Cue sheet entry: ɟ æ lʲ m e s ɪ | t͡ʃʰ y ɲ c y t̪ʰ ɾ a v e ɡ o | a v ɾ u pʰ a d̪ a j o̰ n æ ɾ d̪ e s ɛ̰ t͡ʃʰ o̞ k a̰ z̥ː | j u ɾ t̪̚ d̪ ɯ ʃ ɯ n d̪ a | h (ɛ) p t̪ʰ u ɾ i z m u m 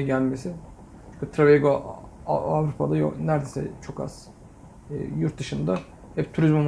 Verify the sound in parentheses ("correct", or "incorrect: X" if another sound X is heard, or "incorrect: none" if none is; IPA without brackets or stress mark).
correct